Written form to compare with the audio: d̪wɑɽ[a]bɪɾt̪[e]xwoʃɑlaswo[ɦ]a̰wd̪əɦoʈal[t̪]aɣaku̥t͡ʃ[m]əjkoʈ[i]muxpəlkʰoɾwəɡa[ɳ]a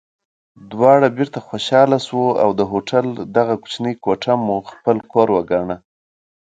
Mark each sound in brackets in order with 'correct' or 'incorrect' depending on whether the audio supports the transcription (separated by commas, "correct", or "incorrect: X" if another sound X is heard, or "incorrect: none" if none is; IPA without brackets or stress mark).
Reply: correct, incorrect: a, incorrect: none, incorrect: d̪, incorrect: n, incorrect: a, correct